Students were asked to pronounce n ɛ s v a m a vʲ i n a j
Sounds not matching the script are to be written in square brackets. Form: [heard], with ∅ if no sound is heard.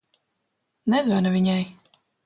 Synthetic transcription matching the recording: n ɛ [z] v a [n] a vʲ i [ɲ] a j